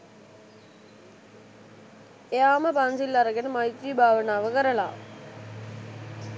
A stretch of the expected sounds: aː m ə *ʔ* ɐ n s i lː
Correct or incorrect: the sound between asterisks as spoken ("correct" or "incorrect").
incorrect